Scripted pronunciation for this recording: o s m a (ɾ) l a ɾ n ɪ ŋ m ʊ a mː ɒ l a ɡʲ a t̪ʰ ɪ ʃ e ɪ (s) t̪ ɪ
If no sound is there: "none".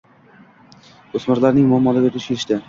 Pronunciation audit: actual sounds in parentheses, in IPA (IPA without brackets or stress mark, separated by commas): ɾ, ʃ